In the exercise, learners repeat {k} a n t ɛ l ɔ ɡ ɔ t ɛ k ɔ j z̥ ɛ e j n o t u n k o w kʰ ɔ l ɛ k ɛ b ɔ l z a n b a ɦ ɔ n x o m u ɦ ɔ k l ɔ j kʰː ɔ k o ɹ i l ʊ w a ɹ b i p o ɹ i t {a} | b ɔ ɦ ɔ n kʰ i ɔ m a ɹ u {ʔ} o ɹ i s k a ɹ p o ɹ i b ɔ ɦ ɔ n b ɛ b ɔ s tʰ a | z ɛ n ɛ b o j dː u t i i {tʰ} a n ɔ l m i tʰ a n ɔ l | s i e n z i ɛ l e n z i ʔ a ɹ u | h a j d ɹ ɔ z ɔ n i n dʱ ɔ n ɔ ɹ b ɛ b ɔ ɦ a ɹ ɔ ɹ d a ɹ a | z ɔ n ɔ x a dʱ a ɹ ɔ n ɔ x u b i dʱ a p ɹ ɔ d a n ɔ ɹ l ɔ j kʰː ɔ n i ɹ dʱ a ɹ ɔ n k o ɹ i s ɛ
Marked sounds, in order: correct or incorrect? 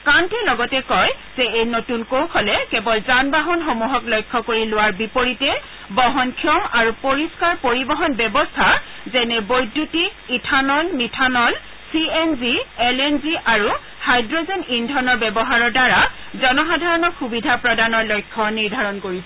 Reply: correct, incorrect: ɛ, incorrect: p, correct

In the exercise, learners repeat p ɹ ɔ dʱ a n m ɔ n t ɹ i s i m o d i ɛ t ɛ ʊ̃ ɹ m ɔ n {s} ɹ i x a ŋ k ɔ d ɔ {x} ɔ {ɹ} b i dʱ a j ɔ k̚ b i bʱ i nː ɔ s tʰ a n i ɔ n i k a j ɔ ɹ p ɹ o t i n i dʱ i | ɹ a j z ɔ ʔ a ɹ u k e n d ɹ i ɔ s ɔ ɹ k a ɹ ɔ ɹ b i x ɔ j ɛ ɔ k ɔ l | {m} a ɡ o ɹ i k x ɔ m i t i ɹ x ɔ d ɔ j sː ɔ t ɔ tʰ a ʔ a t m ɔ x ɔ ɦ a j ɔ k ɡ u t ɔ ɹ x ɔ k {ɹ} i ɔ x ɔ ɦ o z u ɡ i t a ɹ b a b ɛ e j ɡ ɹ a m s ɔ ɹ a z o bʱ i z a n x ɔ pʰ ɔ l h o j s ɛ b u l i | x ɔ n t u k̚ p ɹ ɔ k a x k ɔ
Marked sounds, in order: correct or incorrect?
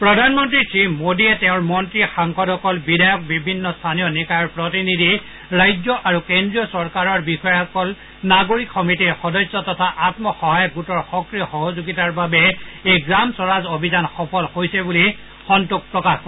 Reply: incorrect: t, incorrect: k, incorrect: l, incorrect: n, correct

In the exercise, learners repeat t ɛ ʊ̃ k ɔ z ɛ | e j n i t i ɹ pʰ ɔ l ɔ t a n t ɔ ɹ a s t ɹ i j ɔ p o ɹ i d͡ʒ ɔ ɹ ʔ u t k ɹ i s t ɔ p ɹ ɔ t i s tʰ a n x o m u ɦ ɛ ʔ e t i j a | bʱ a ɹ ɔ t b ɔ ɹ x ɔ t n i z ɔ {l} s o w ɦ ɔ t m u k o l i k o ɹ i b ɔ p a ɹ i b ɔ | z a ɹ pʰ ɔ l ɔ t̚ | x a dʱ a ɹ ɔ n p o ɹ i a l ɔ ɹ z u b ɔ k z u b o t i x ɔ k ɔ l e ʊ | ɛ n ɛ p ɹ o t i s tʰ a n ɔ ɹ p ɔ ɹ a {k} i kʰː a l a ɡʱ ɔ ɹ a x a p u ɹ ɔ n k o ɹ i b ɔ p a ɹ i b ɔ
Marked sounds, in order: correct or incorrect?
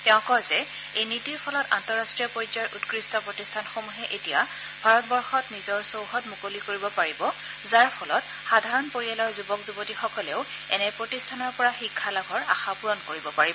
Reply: incorrect: ɹ, incorrect: x

